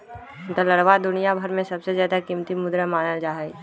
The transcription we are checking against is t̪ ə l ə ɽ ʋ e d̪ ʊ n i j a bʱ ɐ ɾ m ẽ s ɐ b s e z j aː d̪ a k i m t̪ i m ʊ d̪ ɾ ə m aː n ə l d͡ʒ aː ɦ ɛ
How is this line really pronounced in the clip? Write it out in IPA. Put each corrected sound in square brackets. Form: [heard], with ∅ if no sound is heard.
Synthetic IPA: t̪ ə l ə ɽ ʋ [a] d̪ ʊ n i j a bʱ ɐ ɾ m ẽ s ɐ b s e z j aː d̪ a k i m t̪ i m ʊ d̪ ɾ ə m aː n ə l d͡ʒ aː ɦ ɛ